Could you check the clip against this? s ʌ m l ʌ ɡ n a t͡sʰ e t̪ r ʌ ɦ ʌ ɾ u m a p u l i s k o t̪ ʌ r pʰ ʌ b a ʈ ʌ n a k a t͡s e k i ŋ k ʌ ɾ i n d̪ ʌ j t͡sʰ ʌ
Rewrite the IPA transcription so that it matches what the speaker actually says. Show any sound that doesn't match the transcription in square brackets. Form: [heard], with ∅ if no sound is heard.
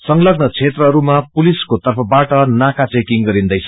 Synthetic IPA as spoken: s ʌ [ŋ] l ʌ ɡ n [ʌ] t͡sʰ e t̪ r ʌ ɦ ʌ ɾ u m a p u l i s k o t̪ ʌ r pʰ ʌ b a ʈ ʌ n a k a t͡s e k i ŋ [ɡ] ʌ ɾ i n d̪ ʌ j t͡sʰ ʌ